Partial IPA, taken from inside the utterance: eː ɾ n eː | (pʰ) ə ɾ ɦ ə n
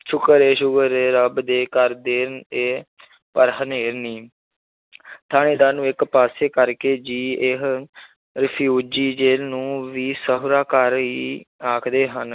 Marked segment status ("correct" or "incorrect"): incorrect